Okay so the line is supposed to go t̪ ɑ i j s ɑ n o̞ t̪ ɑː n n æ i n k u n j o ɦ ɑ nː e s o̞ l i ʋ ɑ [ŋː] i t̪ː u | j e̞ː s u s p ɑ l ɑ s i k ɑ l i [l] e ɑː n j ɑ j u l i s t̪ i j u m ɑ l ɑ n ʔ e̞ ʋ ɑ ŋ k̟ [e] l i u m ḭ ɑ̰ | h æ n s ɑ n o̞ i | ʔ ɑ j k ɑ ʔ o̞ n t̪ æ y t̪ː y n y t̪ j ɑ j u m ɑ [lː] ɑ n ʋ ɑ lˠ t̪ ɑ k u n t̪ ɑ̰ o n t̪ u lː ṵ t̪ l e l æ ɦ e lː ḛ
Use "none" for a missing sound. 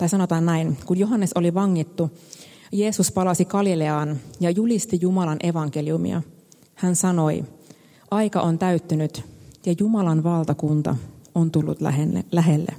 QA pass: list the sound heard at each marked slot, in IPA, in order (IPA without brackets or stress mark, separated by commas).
ŋː, l, e, l